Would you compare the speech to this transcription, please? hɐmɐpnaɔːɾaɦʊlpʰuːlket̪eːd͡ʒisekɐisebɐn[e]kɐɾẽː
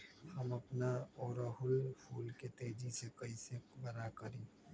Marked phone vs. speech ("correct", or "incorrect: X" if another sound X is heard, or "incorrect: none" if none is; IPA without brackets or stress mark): incorrect: a